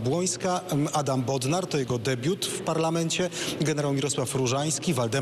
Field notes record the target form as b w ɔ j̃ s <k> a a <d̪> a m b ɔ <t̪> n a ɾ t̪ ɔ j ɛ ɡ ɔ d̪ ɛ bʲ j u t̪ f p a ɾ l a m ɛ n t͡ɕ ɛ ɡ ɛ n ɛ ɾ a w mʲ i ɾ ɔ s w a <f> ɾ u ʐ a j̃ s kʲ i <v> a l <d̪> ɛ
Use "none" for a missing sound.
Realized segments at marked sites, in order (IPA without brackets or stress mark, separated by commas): k, d̪, d̪, f, v, d̪